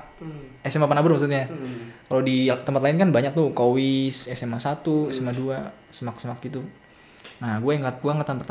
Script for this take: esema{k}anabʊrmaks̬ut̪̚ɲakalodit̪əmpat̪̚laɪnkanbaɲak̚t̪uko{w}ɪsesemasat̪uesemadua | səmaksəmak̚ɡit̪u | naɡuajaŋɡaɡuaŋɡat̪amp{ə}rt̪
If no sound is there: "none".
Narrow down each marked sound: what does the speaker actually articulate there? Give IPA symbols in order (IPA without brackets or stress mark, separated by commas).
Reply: p, w, ə